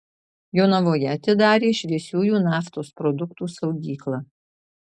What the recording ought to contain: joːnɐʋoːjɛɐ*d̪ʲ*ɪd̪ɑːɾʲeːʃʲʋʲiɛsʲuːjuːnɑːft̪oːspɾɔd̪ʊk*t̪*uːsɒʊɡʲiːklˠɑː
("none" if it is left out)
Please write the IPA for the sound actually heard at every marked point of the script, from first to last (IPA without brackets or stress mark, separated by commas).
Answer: t̪ʲ, t̪